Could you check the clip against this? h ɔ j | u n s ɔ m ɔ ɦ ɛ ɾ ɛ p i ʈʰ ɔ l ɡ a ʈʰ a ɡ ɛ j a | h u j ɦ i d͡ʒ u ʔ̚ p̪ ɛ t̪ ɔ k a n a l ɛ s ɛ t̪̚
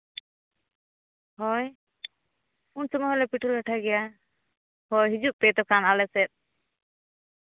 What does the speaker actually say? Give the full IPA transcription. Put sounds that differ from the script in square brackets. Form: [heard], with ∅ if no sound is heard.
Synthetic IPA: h ɔ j | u n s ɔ m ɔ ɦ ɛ [l] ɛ p i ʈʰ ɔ l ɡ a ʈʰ a ɡ ɛ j a | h [ɔ] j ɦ i d͡ʒ u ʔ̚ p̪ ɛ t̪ ɔ k a n a l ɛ s ɛ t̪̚